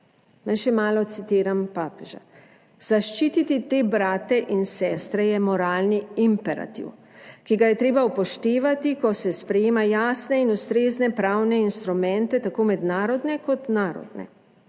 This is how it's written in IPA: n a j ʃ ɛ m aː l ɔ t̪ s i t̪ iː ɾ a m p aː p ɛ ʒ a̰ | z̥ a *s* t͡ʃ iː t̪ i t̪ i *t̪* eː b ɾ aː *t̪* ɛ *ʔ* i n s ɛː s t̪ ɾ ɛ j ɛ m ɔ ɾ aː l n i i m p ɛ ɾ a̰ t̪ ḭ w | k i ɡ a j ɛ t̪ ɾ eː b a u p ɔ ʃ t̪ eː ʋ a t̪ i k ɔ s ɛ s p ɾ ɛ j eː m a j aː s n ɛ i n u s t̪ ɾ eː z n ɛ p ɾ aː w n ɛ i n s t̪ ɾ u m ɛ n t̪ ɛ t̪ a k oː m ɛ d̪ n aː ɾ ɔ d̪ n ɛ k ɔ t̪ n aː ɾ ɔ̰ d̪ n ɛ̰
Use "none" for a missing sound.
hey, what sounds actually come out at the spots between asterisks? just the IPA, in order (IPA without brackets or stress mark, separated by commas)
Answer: ʃ, t̪, t̪, ʔ